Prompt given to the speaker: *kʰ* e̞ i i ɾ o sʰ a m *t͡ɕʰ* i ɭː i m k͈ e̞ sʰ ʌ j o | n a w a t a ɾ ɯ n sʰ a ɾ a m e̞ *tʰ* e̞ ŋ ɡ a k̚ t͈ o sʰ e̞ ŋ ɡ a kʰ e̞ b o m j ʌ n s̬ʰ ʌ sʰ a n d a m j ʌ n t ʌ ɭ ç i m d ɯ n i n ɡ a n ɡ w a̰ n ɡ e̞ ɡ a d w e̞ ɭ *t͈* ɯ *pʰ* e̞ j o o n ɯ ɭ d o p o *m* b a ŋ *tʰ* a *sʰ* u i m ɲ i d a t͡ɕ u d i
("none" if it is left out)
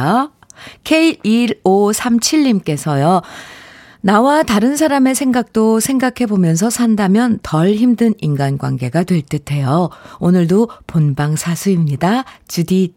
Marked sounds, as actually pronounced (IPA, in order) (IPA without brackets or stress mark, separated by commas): kʰ, t͡ɕʰ, sʰ, t͈, tʰ, n, sʰ, sʰ